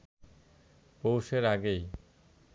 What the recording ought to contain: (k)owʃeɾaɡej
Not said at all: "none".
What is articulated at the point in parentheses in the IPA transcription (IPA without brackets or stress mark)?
p